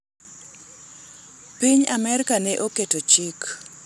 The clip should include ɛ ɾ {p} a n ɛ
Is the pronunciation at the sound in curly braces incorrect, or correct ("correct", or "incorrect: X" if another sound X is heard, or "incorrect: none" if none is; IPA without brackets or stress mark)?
incorrect: k